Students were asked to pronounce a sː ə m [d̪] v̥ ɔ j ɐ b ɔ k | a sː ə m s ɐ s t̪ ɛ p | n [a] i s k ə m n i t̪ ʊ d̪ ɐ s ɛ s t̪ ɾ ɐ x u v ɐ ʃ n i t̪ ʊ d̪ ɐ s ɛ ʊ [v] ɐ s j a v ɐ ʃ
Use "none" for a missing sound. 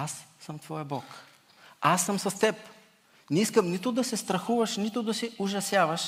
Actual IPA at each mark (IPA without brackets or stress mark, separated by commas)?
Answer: t̪, ɛ, ʒ